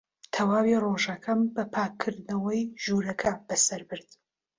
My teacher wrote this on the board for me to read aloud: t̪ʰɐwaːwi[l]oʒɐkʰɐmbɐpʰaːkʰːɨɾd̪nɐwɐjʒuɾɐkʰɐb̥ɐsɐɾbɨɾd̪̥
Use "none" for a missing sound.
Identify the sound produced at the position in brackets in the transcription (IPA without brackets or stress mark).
r